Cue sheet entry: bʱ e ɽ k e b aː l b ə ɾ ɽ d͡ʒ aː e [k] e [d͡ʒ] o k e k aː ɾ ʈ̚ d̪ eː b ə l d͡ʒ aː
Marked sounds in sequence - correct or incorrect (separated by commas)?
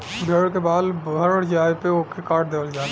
incorrect, incorrect